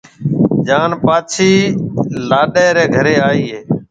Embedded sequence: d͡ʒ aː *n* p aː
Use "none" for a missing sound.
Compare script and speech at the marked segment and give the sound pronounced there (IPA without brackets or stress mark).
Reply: n